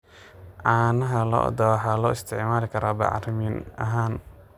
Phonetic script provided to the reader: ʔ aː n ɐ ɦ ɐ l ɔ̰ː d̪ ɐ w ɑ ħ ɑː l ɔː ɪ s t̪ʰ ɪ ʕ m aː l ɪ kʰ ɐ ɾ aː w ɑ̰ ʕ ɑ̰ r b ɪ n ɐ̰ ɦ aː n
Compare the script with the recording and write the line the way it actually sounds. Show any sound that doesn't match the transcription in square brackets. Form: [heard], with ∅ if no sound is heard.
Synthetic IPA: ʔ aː n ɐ ɦ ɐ l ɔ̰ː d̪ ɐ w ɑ ħ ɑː l ɔː ɪ s t̪ʰ ɪ ʕ m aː l ɪ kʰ ɐ ɾ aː [b] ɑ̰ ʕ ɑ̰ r [m] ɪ n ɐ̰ ɦ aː n